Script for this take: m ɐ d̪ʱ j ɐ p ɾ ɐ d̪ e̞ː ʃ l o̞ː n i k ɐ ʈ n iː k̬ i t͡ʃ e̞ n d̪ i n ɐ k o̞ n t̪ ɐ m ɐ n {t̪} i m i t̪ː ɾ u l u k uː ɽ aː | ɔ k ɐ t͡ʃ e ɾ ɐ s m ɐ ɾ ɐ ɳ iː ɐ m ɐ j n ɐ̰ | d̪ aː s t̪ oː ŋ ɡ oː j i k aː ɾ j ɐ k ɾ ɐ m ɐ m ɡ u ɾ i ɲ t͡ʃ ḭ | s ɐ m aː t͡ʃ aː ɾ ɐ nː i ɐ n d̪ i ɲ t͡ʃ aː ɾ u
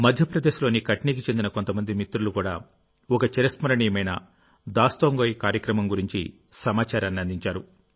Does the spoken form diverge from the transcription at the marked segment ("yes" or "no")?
yes